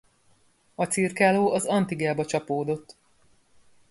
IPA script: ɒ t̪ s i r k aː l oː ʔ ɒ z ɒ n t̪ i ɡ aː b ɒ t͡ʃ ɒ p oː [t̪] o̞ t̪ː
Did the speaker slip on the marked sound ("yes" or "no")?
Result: yes